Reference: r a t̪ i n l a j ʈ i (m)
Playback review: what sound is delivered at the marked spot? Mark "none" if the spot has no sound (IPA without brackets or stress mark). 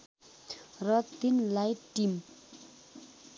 m